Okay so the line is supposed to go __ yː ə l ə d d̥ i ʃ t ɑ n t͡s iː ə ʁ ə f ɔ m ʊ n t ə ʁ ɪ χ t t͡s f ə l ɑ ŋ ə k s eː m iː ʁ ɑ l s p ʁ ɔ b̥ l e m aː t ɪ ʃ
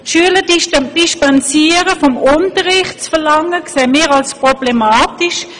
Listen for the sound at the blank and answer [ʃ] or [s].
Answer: ʃ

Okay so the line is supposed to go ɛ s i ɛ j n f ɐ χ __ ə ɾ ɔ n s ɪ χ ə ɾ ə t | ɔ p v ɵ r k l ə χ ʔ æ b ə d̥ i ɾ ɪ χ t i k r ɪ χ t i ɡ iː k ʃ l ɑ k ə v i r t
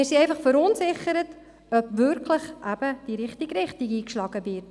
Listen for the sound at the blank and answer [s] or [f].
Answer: f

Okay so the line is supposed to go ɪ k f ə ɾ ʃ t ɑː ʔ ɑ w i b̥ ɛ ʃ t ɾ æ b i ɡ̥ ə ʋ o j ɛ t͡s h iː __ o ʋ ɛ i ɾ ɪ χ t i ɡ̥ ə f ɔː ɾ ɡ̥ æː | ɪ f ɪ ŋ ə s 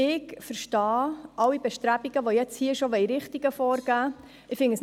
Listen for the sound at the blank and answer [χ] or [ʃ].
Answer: ʃ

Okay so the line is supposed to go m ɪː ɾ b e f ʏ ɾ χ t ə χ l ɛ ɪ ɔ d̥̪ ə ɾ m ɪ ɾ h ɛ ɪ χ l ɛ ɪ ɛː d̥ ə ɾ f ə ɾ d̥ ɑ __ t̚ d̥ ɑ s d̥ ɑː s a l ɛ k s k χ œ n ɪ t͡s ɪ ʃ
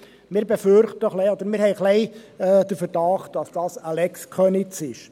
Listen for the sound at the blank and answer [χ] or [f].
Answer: χ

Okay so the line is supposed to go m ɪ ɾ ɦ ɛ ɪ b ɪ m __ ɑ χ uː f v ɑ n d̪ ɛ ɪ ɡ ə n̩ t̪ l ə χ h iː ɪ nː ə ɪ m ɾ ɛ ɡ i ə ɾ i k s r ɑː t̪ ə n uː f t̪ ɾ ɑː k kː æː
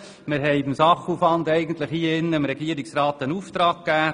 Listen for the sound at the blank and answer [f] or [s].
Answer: s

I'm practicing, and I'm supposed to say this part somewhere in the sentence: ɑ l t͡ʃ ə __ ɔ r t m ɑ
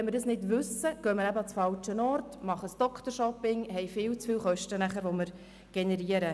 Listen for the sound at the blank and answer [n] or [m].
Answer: n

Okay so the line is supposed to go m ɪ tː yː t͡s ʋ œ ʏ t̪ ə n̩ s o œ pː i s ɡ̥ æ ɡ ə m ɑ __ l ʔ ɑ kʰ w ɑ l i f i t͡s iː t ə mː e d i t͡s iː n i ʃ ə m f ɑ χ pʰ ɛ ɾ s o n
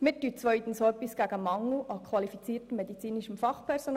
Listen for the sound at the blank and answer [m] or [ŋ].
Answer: ŋ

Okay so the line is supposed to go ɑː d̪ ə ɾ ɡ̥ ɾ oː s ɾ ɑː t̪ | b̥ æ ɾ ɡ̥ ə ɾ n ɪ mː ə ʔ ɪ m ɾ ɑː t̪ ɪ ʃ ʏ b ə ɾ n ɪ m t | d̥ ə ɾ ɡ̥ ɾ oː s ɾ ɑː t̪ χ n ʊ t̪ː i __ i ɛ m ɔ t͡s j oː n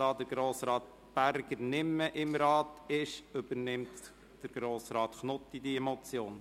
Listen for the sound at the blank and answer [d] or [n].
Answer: d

